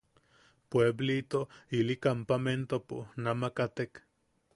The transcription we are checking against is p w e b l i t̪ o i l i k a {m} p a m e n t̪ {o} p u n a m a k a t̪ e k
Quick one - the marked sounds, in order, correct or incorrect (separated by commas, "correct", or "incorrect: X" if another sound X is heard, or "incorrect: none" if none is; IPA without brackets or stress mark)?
correct, correct